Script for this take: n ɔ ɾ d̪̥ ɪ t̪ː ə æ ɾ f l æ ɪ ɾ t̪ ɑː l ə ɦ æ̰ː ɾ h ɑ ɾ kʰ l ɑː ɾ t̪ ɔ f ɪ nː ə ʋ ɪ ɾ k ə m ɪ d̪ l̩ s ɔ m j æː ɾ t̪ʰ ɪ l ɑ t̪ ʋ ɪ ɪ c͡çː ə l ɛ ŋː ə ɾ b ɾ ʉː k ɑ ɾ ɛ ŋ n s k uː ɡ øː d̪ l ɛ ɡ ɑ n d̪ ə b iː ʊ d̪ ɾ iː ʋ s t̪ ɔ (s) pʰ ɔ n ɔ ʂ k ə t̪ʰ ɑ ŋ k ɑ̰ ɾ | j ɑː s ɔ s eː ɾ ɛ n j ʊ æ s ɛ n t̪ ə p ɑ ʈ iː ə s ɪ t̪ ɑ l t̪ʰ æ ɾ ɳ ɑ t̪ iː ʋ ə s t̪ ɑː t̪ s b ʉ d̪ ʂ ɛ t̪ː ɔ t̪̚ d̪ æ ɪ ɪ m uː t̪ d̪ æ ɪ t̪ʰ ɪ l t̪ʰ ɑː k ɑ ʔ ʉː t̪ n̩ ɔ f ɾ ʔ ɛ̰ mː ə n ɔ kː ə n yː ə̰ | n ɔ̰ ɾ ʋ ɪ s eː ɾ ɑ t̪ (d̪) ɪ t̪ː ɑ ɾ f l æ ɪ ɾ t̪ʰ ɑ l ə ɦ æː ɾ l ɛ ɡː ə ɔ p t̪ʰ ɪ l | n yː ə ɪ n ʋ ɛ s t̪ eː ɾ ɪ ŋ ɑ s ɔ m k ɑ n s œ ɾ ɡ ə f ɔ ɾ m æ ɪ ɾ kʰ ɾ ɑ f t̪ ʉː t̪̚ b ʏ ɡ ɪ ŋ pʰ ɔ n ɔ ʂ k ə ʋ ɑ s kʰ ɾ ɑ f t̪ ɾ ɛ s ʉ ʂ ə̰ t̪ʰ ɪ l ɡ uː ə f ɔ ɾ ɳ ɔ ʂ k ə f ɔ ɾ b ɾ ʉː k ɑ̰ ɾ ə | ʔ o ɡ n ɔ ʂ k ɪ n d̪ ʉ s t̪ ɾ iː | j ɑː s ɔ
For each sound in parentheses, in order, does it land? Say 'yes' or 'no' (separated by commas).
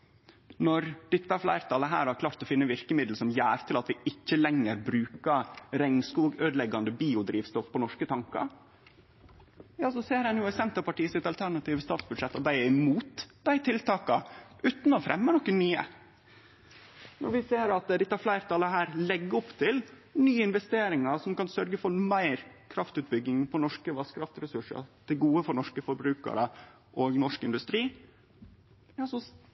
no, yes